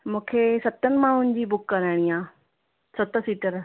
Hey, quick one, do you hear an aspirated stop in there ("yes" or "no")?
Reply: yes